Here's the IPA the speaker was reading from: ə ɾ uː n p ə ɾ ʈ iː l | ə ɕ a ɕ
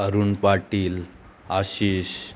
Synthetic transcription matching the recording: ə ɾ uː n p a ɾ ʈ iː l | a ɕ i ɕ